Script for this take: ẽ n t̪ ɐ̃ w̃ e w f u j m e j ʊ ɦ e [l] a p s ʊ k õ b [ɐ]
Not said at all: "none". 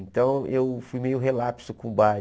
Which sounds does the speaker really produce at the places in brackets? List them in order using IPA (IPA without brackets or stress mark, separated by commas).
l, a